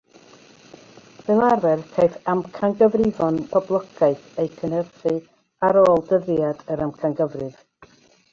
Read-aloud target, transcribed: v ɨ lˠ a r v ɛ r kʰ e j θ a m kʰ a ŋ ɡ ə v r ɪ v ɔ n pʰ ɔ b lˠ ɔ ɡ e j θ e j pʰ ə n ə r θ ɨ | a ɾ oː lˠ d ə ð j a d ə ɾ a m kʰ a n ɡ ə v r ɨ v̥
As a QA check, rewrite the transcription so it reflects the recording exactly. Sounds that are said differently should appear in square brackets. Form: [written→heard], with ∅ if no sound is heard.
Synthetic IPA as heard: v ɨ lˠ a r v ɛ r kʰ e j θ a m kʰ a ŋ ɡ ə v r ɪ v ɔ n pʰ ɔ b lˠ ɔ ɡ [e→a] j θ e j [pʰ→kʰ] ə n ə r θ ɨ | a ɾ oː lˠ d ə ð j a d ə ɾ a m kʰ a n ɡ ə v r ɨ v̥